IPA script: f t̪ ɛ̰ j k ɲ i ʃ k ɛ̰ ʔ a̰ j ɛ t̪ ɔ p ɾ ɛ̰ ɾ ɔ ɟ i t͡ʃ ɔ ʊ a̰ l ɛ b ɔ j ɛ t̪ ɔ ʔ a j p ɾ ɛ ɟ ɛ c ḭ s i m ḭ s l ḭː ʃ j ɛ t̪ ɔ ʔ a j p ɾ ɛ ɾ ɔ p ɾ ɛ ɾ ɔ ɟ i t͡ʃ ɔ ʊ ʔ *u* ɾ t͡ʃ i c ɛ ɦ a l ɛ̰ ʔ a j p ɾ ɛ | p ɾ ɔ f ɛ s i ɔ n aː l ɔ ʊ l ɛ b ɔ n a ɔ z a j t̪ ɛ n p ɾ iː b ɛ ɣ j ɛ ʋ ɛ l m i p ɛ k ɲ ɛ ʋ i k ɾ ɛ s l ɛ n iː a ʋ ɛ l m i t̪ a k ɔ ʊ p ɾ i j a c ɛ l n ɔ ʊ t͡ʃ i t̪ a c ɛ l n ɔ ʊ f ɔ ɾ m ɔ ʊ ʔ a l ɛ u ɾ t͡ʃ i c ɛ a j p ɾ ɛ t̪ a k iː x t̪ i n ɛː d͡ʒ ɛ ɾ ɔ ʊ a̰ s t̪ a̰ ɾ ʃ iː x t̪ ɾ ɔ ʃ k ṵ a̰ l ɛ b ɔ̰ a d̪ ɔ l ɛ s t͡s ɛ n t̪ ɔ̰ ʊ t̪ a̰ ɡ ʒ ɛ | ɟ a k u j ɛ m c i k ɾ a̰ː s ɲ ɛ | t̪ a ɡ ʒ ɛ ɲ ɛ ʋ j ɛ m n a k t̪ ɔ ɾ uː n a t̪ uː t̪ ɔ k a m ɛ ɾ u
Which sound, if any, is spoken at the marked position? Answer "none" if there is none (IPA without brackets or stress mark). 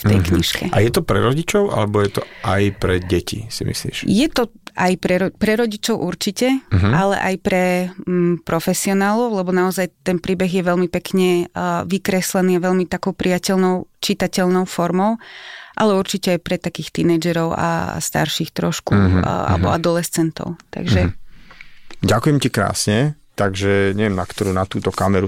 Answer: u